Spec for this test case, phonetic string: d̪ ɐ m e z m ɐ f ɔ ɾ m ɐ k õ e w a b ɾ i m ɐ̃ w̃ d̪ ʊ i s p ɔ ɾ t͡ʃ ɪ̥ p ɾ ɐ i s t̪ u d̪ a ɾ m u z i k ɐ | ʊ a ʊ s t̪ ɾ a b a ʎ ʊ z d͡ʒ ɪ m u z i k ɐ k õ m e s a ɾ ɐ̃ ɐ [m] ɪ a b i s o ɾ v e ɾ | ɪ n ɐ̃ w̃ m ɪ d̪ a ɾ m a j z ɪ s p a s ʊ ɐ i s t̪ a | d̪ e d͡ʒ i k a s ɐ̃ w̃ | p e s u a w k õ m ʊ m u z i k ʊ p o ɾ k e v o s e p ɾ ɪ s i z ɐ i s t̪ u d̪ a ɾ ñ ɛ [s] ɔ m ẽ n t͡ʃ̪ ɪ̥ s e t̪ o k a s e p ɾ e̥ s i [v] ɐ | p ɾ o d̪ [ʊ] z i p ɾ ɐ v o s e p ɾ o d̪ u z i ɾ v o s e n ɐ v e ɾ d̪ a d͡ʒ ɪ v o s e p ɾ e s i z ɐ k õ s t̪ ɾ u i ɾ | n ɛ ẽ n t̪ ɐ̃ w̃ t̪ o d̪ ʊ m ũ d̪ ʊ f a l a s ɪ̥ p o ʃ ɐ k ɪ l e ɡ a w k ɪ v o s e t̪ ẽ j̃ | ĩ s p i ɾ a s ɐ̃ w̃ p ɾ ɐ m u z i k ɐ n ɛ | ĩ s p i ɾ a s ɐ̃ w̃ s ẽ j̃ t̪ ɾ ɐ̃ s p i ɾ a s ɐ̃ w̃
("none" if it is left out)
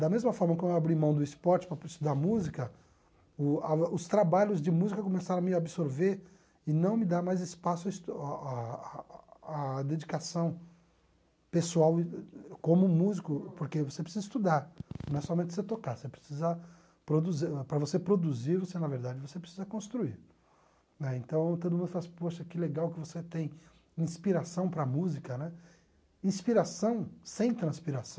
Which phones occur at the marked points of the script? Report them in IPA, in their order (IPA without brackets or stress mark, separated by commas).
m, s, z, u